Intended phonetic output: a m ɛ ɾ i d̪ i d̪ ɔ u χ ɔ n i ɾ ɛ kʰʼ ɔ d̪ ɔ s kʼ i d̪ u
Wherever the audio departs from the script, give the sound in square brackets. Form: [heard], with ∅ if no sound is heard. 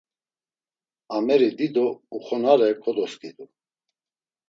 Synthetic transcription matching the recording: a m ɛ ɾ i d̪ i d̪ ɔ u χ ɔ n [a] ɾ ɛ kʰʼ ɔ d̪ ɔ s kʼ i d̪ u